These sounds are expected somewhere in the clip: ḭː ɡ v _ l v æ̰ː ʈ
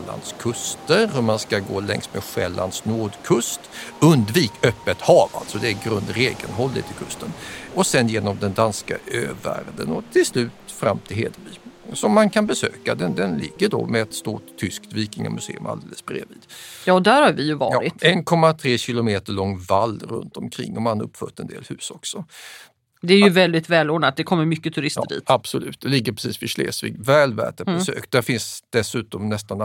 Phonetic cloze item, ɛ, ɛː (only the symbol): ɛː